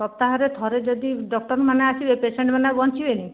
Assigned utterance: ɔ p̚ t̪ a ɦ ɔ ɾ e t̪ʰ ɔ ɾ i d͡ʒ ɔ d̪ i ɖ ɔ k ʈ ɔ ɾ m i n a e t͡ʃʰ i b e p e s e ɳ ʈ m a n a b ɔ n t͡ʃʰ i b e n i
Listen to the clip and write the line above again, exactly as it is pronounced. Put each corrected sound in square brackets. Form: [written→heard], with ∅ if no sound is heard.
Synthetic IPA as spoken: ɔ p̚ t̪ a ɦ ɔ ɾ e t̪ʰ ɔ ɾ [i→e] d͡ʒ ɔ d̪ i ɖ ɔ k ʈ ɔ ɾ m [i→a] n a [e→a] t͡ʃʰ i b e p e s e ɳ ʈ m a n a b ɔ n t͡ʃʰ i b e n i